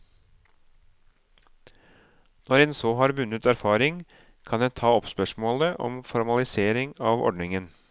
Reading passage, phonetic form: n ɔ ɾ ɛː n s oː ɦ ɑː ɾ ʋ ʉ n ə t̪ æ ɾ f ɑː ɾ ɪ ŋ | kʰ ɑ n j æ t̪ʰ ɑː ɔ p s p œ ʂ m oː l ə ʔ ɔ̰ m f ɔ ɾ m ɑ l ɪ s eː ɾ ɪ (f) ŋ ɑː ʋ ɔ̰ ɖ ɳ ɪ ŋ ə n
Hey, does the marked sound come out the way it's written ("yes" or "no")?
no